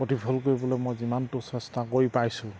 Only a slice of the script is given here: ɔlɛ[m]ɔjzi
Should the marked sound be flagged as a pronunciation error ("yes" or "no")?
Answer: no